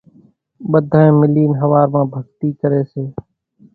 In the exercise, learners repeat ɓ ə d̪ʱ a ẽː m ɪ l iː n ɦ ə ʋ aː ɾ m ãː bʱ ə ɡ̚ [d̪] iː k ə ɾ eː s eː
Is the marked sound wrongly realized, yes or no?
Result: yes